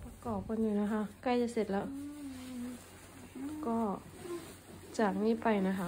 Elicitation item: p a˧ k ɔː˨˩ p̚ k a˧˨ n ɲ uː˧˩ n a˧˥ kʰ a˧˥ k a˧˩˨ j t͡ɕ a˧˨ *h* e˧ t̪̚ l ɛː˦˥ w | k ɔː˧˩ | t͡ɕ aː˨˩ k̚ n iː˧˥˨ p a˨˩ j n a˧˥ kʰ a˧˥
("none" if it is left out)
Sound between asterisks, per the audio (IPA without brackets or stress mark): s